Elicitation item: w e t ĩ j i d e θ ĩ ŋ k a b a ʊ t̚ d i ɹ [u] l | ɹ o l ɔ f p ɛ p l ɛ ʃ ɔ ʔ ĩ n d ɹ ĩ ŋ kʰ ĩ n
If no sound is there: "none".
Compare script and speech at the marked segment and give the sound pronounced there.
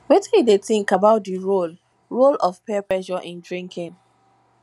o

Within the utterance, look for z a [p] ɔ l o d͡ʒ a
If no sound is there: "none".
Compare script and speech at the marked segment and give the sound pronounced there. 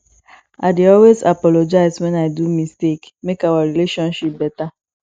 p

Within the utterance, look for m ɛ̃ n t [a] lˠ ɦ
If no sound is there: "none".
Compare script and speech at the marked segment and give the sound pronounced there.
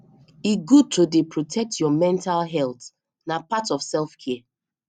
a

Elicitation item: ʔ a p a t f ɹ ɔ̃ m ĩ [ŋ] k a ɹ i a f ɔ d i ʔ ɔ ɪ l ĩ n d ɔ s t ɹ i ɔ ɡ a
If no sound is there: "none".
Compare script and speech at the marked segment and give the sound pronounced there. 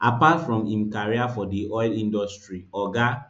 m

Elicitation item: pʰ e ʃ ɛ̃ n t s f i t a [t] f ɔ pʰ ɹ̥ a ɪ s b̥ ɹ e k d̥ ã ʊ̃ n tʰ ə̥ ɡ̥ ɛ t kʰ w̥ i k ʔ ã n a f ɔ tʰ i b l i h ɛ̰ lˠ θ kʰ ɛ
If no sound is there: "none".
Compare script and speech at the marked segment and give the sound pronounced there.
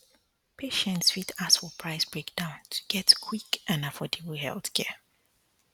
s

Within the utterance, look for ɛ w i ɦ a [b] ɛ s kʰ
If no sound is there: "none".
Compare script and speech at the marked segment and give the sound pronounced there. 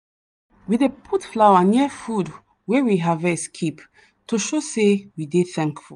v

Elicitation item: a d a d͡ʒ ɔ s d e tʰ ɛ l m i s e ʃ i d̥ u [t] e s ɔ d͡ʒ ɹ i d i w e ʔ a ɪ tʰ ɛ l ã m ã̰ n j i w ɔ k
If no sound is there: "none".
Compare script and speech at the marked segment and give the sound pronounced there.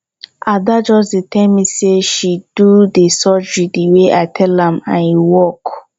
d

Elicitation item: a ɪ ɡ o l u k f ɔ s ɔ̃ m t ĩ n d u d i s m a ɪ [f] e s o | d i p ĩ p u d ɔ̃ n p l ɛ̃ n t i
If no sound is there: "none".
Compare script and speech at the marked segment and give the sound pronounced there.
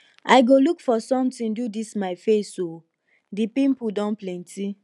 f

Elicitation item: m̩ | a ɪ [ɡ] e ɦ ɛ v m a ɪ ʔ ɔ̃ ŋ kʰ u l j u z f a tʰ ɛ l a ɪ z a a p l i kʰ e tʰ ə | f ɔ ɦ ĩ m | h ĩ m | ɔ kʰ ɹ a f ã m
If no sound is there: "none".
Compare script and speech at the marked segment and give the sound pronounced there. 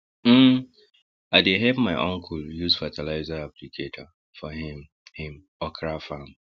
d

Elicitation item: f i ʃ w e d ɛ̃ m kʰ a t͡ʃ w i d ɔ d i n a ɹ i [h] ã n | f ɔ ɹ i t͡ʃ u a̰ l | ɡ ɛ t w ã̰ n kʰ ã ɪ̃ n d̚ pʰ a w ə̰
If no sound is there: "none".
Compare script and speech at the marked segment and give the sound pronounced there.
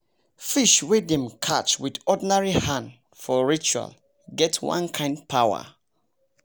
h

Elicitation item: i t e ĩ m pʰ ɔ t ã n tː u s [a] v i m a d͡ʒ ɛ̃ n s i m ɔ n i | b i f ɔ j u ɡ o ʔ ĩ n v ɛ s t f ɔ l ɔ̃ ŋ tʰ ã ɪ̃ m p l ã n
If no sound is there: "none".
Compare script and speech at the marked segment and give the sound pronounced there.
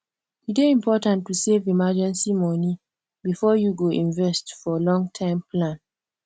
e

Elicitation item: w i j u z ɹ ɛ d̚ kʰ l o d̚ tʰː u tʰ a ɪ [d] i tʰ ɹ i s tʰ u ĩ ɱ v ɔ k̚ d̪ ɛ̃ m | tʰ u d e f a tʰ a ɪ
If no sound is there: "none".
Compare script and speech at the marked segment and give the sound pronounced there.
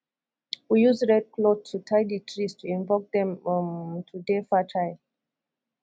d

